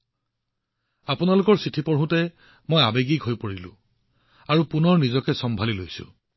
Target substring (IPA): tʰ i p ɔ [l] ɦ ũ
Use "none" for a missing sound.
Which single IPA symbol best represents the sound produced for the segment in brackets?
ɹ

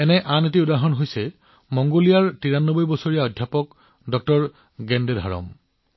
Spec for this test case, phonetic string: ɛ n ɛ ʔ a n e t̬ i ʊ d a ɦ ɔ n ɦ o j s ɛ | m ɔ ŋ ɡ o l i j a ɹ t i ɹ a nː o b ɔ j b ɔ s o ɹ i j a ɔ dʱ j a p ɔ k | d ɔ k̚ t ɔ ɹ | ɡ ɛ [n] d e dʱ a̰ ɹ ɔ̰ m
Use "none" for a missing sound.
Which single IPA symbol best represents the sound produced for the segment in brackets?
n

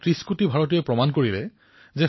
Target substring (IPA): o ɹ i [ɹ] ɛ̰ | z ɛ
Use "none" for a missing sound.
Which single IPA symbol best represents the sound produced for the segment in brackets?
l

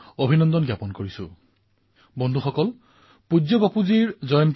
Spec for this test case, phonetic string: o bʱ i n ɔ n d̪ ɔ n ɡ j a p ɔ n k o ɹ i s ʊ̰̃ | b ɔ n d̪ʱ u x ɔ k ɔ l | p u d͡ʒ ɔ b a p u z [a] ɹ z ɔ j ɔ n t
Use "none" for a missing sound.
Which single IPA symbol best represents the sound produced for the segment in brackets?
i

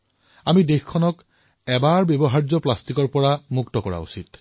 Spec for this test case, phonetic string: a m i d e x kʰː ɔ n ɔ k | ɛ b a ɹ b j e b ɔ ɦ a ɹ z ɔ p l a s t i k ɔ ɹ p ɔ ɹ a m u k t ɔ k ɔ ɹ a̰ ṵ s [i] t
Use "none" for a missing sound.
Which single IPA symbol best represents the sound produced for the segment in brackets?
i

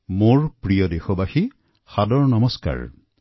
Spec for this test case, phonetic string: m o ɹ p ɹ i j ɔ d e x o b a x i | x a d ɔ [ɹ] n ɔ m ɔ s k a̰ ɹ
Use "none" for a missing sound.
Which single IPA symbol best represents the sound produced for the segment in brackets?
ɹ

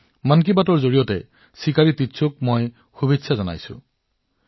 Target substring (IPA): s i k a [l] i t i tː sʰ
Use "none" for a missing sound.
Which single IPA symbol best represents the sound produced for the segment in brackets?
ɹ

